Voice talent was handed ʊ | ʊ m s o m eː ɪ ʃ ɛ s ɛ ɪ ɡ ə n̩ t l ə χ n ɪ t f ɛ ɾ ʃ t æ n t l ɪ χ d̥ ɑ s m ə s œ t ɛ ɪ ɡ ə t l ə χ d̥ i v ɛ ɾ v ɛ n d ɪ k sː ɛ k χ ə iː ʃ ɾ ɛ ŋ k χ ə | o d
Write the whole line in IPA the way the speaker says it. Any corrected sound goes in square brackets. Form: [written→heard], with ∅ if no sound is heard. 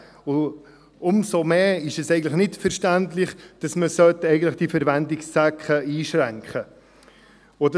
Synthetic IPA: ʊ | ʊ m s o m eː ɪ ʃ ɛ s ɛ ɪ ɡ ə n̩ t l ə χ n ɪ t f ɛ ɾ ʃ t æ n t l ɪ χ d̥ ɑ s m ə s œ t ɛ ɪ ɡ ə t l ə χ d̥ i [v→f] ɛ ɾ v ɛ n d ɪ k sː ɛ k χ ə iː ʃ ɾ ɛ ŋ k χ ə | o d

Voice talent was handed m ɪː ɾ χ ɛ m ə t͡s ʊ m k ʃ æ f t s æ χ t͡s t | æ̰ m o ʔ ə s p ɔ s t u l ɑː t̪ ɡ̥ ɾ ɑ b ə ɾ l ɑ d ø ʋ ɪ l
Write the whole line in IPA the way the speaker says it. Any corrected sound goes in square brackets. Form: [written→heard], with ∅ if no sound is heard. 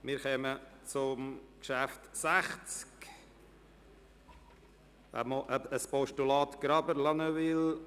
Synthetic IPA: m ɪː ɾ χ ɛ m ə t͡s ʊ m k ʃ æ f t s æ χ t͡s [t→k] | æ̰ m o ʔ ə s p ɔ [s→ʃ] t u l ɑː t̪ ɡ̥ ɾ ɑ b ə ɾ l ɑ [d→n] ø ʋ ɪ l

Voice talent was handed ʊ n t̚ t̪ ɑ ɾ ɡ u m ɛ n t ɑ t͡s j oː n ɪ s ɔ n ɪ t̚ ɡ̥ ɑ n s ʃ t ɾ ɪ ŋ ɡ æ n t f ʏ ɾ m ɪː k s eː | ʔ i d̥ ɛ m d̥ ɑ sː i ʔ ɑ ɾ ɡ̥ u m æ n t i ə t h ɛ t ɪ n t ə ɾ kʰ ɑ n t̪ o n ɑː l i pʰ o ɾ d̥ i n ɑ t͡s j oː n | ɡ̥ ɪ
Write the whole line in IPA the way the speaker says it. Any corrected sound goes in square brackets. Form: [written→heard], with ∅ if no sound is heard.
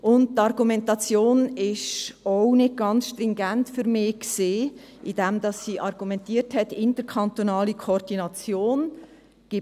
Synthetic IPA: ʊ n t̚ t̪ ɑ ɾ ɡ u m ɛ n t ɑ t͡s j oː n ɪ [s→ʃ] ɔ n ɪ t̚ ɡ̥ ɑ n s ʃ t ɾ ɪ ŋ ɡ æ n t f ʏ ɾ m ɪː k s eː | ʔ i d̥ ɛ m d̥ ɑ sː i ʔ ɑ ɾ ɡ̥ u m [æ→ɛ] n t i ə t h ɛ t ɪ n t ə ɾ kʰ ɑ n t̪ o n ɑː l i [pʰ→kʰ] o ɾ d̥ i n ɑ t͡s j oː n | ɡ̥ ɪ

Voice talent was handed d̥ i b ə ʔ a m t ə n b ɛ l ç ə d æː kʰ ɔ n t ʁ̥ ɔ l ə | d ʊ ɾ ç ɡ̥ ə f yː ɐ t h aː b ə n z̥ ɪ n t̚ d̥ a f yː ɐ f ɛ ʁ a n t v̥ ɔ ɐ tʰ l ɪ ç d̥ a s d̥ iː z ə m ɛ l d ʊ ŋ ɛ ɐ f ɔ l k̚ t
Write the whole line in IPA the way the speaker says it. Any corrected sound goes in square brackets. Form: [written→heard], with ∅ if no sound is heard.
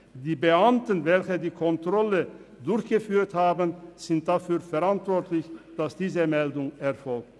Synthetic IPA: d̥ [i→iː] b ə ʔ a m t ə n [b→v] ɛ l ç ə d [æː→iː] kʰ ɔ n t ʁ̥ ɔ l ə | d ʊ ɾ ç ɡ̥ ə f yː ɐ t h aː b ə n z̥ ɪ n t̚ d̥ a f yː ɐ f ɛ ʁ a n t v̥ ɔ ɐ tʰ l ɪ ç d̥ a s d̥ iː z ə m ɛ l d ʊ ŋ ɛ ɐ f ɔ l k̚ t

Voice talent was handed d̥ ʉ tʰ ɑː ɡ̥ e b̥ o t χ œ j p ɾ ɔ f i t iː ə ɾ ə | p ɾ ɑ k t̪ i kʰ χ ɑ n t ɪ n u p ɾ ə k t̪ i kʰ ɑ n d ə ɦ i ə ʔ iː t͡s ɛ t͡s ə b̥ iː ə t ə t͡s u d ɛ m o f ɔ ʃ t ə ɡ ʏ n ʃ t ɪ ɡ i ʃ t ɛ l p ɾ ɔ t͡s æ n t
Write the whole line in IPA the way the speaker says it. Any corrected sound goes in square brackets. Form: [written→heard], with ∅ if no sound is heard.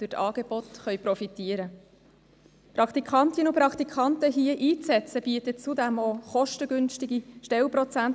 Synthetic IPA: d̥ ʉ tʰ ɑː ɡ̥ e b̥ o t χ œ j p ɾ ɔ f i t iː ə ɾ ə | p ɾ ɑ k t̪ i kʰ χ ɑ n t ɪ n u p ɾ [ə→ɑ] k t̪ i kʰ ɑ n [d→t] ə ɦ i ə ʔ iː t͡s ɛ t͡s ə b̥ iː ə t ə t͡s u d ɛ m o [f→χ] ɔ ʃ t ə ɡ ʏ n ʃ t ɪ ɡ i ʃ t ɛ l p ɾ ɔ t͡s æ n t

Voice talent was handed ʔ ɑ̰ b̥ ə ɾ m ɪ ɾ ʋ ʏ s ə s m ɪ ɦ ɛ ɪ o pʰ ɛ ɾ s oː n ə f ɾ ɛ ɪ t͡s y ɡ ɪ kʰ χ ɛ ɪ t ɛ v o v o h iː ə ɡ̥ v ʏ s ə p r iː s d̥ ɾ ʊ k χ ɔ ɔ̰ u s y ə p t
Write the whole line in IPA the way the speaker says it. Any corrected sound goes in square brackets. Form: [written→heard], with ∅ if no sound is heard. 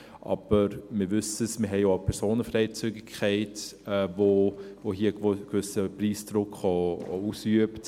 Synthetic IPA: ʔ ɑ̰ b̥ ə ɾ m ɪ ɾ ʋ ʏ s ə s m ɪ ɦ ɛ ɪ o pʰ ɛ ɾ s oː n ə f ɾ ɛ ɪ t͡s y ɡ ɪ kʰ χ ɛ ɪ t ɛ v o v o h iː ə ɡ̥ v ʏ s ə p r iː s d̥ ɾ ʊ k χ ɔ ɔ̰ u s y ə p t

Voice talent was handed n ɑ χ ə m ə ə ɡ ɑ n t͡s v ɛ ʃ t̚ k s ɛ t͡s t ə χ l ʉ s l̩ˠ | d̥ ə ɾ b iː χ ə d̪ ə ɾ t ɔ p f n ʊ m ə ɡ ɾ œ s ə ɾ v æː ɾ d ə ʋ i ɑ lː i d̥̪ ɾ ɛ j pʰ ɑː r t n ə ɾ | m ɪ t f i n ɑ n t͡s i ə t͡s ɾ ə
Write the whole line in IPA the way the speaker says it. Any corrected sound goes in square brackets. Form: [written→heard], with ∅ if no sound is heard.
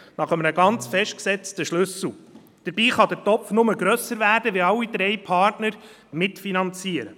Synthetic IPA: n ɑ χ ə m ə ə ɡ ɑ n t͡s [v→f] ɛ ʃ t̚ k s ɛ t͡s t ə [χ→ʃ] l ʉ s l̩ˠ | d̥ ə ɾ b iː χ [ə→ɑ] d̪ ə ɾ t ɔ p f n ʊ m ə ɡ ɾ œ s ə ɾ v æː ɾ d ə ʋ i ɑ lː i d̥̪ ɾ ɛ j pʰ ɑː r t n ə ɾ | m ɪ t f i n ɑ n t͡s i ə [t͡s→∅] ɾ ə

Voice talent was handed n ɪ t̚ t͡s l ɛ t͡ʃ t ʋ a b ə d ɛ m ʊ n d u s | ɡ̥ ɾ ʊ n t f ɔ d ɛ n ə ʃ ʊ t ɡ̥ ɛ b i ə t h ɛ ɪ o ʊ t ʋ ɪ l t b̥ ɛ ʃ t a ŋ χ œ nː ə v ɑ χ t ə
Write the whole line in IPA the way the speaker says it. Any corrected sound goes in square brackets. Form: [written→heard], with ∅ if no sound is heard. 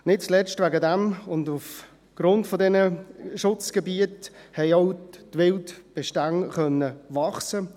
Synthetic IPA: n ɪ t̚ t͡s l ɛ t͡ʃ t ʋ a [b→ɡ] ə d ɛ m ʊ n d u [s→f] | ɡ̥ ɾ ʊ n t f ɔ d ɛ n ə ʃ ʊ [t→t͡s] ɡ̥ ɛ b i ə t h ɛ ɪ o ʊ t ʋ ɪ l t b̥ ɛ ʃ t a ŋ χ œ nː ə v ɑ χ [t→s] ə

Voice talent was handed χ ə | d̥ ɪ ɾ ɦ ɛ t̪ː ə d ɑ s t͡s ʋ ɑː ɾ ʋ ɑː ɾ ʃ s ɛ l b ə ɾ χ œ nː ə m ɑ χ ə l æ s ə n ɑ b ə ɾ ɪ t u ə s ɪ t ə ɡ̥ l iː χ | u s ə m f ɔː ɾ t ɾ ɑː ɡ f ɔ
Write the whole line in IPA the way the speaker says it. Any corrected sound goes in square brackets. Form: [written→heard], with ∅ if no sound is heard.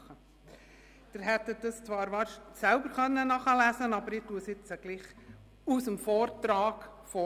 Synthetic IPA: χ ə | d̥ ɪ ɾ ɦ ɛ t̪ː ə d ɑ s t͡s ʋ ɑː ɾ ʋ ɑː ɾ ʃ s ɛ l b ə ɾ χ œ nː ə [m→n] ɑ χ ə l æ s ə n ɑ b ə ɾ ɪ t u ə s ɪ [t→t͡s] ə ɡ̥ l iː χ | u s ə m f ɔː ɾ t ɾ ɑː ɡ f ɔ

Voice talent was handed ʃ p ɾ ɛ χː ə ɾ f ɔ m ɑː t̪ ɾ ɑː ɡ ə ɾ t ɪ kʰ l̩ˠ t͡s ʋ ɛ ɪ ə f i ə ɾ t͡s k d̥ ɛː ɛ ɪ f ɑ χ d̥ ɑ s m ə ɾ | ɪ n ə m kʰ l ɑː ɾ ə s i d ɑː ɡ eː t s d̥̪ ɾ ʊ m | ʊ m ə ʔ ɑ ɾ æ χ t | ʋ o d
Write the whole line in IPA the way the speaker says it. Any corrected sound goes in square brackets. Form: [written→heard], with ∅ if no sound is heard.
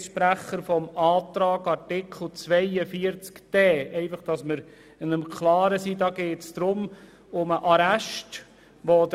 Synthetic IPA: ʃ p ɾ [ɛ→æ] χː ə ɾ f ɔ m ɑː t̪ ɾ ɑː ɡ [ə→ɑ] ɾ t ɪ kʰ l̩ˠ t͡s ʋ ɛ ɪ ə f i ə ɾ t͡s k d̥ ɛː ɛ ɪ f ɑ χ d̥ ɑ s m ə ɾ | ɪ n ə m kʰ l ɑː ɾ ə s i d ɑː ɡ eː t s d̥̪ ɾ ʊ m | ʊ m ə ʔ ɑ ɾ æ [χ→ʃ] t | ʋ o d

